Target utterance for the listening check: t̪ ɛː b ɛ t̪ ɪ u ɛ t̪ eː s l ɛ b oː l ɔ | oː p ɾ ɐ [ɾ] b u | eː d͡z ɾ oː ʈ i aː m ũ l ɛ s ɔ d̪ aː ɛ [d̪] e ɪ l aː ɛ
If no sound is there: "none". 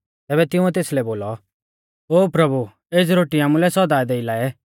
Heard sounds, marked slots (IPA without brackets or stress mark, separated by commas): none, d̪